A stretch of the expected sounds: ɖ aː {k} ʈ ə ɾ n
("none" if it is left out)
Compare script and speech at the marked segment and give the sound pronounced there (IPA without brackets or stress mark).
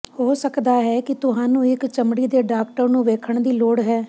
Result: k